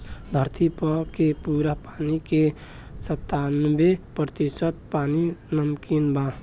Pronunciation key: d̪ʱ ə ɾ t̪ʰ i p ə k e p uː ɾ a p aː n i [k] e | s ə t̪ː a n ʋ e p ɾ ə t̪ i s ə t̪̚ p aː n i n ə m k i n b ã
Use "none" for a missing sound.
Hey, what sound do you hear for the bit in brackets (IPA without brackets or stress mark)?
k